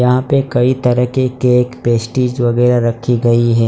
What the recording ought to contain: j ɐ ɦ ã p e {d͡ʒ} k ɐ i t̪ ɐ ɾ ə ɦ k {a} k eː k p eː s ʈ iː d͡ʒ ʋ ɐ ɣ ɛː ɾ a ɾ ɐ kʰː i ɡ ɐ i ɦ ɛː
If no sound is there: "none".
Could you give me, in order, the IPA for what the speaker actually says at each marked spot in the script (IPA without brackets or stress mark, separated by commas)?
none, e